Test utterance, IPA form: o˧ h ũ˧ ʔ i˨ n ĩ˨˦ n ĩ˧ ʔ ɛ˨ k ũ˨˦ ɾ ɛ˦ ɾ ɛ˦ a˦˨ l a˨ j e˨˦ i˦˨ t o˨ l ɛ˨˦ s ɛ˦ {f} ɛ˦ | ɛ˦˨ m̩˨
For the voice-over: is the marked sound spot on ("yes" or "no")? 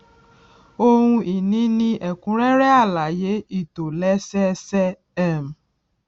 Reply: no